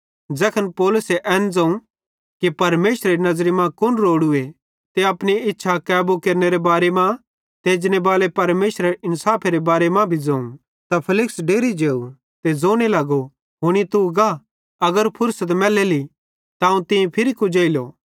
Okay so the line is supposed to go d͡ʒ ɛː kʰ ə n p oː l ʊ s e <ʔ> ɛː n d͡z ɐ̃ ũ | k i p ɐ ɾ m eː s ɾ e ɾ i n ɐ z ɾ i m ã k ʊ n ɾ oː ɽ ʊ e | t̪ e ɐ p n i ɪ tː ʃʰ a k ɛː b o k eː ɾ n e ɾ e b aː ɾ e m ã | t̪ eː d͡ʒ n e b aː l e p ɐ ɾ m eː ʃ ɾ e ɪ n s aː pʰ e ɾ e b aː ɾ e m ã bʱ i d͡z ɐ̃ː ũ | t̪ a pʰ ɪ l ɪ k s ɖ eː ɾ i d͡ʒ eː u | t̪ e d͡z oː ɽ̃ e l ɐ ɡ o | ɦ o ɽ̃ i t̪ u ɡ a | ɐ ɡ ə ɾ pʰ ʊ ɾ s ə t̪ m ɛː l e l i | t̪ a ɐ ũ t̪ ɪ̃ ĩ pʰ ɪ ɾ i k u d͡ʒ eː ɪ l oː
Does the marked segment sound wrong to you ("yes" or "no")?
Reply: no